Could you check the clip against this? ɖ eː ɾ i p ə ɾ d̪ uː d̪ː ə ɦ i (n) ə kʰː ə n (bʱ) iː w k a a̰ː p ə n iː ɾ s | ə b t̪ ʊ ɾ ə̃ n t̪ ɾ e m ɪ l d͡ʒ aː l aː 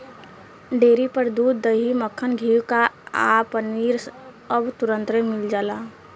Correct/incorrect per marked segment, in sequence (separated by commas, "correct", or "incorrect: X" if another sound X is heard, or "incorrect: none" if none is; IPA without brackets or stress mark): incorrect: m, incorrect: ɡʱ